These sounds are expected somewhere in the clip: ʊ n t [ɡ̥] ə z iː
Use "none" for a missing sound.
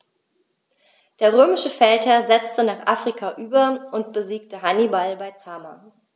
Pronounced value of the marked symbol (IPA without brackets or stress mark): b̥